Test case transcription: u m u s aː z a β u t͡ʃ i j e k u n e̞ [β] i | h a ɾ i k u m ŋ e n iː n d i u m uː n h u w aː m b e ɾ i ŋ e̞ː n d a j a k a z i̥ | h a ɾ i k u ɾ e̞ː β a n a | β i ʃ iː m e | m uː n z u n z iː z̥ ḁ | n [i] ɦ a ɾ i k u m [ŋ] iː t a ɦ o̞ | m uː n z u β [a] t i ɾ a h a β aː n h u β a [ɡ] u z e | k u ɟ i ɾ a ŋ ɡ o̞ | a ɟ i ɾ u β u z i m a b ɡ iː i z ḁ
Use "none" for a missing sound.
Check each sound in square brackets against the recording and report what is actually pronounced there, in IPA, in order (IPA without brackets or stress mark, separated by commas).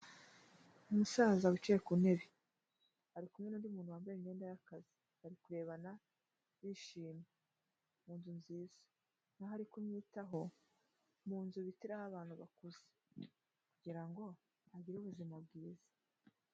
β, a, ɲ, i, k